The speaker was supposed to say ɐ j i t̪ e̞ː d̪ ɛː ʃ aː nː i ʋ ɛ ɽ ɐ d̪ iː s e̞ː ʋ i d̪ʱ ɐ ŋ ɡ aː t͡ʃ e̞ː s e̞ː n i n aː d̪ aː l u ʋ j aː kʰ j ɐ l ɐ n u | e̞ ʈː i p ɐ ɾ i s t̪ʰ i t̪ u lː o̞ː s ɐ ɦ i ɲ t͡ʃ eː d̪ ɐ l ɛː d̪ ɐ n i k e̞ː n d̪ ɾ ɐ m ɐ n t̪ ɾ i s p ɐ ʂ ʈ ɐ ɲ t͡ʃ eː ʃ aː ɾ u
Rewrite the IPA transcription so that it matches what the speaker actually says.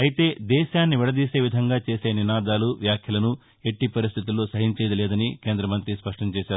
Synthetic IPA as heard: ɐ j i t̪ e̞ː d̪ ɛː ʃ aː nː i ʋ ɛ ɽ ɐ d̪ iː s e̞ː ʋ i d̪ʱ ɐ ŋ ɡ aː t͡ʃ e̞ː s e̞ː n i n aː d̪ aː l u ʋ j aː kʰ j ɐ l ɐ n u | e̞ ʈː i p ɐ ɾ i s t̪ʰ i t̪ u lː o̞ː s ɐ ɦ i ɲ t͡ʃ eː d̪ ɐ l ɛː d̪ ɐ n i k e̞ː n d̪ ɾ ɐ m ɐ n t̪ ɾ i s p ɐ ʂ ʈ ɐ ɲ t͡ʃ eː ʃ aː ɾ u